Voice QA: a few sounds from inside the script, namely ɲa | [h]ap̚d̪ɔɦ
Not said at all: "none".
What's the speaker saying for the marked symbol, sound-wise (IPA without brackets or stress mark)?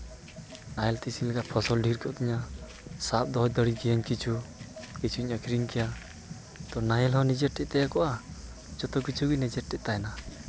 s